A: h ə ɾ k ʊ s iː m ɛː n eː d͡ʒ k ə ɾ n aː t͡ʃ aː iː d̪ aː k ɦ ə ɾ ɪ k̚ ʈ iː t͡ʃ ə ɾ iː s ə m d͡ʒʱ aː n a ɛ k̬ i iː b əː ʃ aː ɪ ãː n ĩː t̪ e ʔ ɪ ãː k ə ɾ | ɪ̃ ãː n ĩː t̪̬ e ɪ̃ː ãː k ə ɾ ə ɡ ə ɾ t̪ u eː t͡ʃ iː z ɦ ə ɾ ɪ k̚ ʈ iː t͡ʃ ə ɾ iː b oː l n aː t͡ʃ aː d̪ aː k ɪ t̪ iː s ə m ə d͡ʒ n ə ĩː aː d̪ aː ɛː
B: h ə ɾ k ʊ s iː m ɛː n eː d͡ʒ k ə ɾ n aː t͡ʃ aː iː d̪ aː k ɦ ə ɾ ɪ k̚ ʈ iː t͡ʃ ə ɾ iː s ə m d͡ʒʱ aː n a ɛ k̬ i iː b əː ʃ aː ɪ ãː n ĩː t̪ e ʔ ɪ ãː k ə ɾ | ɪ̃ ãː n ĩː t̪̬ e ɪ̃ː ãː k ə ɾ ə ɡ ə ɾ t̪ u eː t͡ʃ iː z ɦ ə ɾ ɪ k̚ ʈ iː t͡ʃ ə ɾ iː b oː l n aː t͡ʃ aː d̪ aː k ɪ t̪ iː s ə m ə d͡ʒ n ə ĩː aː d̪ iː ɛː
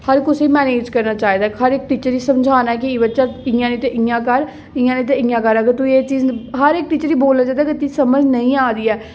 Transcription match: B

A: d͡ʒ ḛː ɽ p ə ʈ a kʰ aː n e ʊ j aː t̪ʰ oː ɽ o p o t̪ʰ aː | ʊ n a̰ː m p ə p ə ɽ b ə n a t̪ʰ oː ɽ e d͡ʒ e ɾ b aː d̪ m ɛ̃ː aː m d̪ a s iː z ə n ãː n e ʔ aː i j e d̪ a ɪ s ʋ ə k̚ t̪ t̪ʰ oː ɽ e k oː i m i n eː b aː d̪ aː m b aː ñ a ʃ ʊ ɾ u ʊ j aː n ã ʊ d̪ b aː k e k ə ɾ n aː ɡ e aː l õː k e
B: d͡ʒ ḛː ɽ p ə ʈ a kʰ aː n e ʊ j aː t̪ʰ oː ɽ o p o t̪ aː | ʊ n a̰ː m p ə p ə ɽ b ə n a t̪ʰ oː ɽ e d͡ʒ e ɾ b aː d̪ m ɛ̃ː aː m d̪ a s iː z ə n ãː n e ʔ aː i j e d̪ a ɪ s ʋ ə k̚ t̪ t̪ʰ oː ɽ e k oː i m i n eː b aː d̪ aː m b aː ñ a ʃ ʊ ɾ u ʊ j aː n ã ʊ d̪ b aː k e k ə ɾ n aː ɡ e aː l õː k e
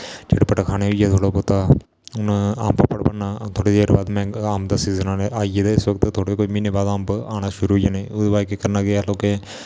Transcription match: B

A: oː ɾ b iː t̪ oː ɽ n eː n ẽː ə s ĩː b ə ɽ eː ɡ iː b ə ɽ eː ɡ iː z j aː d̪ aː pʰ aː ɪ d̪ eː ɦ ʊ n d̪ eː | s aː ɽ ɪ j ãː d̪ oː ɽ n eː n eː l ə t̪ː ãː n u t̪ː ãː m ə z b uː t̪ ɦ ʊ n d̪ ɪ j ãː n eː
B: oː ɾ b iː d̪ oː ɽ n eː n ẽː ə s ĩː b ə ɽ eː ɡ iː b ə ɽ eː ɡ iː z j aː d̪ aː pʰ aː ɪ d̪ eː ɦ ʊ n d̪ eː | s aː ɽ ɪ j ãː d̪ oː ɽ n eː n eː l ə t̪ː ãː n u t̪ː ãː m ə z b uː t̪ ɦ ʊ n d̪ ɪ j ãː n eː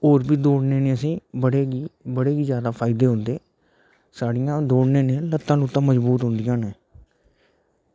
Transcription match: B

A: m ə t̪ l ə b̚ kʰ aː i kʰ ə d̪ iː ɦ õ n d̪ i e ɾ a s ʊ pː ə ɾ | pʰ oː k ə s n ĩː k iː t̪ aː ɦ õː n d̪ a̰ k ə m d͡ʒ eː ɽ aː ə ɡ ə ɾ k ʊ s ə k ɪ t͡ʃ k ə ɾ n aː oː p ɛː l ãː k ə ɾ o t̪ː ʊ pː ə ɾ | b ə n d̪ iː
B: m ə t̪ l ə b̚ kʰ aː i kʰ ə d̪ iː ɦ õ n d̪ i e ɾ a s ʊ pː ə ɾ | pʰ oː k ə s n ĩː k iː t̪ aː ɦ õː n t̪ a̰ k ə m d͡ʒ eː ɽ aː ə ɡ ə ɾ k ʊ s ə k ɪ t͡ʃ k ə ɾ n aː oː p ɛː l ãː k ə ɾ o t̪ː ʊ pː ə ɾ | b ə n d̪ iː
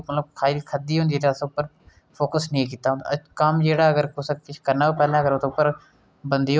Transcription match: A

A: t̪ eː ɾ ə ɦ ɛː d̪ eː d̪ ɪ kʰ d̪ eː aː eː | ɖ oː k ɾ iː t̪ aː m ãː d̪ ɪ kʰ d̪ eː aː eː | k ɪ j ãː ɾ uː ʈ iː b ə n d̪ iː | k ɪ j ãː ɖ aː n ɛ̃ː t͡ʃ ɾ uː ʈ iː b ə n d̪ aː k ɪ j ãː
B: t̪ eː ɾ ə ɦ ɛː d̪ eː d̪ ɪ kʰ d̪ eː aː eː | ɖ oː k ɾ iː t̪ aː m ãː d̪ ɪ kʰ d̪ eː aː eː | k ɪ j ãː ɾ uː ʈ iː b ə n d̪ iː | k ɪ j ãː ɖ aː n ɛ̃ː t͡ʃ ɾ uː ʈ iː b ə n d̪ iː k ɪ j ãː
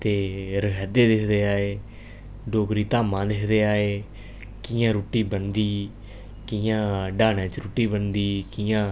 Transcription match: B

